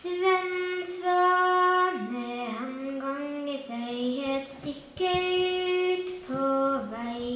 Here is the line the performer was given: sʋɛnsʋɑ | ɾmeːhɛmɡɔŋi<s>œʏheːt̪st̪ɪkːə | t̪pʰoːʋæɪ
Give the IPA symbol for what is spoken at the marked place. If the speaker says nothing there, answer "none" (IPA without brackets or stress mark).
s